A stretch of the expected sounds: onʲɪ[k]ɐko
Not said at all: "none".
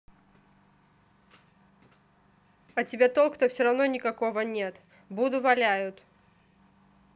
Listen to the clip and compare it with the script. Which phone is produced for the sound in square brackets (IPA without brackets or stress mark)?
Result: k